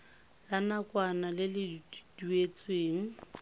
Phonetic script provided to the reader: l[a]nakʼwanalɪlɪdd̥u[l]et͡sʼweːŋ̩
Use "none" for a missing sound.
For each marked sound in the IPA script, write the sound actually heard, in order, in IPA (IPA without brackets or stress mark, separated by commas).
a, none